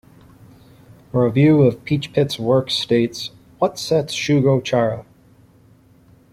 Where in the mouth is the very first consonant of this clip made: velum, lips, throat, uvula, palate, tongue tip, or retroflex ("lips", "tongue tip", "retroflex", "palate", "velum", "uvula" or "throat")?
lips